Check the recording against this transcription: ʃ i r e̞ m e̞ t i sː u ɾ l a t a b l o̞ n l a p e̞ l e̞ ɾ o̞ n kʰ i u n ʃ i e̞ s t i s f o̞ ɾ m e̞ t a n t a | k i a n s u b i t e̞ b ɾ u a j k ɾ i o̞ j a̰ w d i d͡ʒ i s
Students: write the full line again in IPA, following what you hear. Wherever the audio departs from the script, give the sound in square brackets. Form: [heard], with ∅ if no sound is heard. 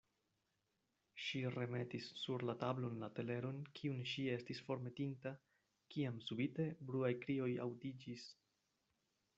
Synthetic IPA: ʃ i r e̞ m e̞ t i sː u ɾ l a t a b l o̞ n l a [t] e̞ l e̞ ɾ o̞ n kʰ i u n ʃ i e̞ s t i s f o̞ ɾ m e̞ t [i] n t a | k i a [m] s u b i t e̞ b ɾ u a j k ɾ i o̞ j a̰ w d i d͡ʒ i s